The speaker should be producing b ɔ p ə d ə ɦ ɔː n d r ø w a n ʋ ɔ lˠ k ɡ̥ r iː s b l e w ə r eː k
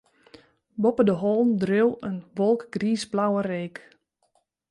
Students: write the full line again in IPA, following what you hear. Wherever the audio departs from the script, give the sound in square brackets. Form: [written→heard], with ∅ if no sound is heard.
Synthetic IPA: b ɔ p ə d ə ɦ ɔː n d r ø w [a→ə] n ʋ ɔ lˠ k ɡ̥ r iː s b l [e→a] w ə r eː k